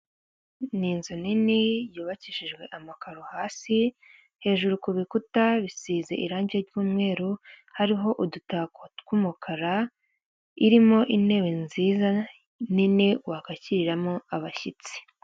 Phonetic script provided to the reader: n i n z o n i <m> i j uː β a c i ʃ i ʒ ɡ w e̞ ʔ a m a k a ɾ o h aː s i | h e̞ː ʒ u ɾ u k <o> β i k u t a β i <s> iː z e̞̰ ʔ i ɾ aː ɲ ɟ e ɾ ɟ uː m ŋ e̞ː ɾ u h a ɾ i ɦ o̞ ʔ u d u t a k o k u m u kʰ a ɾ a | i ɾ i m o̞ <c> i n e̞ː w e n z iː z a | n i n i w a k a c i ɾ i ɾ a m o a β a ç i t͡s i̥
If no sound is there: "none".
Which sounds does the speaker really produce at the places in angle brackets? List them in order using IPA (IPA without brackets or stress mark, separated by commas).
n, u, s, ʔ